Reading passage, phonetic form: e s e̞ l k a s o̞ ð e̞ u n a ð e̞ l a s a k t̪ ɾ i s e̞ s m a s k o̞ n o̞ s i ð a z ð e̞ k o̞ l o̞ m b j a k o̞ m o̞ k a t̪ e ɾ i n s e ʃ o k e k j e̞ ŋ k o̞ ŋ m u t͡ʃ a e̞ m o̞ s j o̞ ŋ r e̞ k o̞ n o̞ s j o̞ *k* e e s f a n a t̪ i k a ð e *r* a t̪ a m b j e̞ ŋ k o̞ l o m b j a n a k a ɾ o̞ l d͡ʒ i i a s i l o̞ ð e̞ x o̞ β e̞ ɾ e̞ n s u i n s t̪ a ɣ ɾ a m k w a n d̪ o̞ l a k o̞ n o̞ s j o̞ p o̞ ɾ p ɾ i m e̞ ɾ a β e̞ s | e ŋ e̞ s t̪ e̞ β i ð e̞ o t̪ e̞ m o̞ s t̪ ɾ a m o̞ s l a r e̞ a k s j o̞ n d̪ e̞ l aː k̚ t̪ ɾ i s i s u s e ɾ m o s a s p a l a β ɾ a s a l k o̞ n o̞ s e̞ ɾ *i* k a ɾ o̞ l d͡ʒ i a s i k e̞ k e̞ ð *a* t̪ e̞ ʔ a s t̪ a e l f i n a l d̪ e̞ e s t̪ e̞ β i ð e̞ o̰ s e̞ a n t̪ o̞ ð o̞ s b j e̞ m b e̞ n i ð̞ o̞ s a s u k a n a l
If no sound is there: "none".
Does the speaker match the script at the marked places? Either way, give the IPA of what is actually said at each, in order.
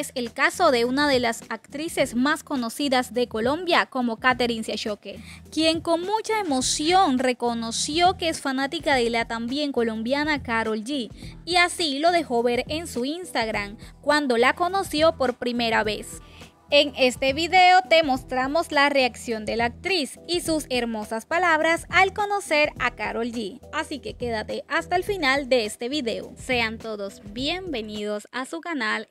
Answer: k, l, a, a

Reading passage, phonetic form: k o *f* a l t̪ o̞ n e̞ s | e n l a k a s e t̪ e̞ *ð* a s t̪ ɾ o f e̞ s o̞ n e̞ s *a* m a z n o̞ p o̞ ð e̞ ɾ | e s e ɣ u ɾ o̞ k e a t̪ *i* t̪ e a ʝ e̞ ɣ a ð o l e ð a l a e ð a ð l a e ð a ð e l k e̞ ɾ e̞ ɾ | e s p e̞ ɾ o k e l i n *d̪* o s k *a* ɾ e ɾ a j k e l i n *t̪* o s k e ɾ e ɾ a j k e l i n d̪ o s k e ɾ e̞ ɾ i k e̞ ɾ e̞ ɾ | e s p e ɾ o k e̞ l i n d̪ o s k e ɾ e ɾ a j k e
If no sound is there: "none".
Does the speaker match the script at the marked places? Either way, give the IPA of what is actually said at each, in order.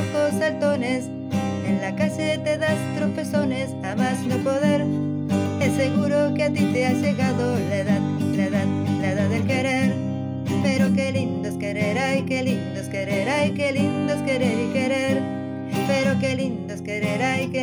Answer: s, ð, a, i, d̪, e, d̪

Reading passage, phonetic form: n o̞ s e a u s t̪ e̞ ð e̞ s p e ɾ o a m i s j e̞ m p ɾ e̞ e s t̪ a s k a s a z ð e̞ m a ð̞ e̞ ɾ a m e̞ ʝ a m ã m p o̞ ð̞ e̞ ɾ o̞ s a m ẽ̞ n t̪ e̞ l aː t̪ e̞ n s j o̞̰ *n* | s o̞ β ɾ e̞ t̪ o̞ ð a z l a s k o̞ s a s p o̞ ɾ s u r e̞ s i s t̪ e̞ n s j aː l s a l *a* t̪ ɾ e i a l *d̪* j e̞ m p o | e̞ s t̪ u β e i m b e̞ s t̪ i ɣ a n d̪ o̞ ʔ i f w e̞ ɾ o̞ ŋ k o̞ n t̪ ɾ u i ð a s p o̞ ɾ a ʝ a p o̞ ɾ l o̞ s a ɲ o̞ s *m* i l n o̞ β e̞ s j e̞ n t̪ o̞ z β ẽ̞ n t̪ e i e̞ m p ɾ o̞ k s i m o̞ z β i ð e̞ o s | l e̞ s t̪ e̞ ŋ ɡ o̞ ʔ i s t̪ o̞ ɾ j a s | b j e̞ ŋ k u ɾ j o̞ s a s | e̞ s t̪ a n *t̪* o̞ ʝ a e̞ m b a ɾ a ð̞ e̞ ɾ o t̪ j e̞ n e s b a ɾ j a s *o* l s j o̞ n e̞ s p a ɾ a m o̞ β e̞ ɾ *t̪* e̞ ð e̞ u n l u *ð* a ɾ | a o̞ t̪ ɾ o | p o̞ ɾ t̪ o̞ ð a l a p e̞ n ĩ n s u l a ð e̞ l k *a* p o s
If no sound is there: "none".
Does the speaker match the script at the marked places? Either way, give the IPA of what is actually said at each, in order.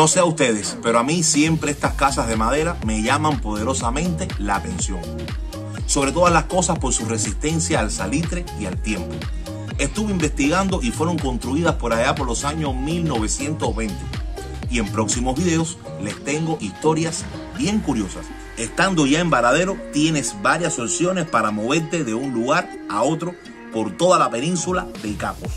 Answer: ŋ, i, t̪, m, d̪, o, t̪, ɣ, a

